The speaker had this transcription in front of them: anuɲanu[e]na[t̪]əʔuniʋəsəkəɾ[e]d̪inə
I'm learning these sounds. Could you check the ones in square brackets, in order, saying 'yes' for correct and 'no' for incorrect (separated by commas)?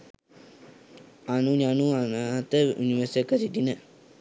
no, yes, no